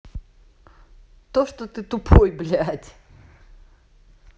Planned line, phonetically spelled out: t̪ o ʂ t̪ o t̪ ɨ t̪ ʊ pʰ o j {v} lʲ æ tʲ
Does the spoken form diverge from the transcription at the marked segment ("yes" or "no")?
yes